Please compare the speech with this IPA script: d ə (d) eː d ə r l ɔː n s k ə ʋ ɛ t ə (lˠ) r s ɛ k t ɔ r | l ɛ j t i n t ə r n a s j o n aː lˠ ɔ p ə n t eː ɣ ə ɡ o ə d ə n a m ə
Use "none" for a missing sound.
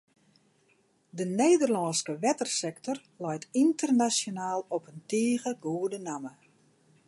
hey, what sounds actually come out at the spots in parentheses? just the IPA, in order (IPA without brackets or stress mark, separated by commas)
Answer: n, none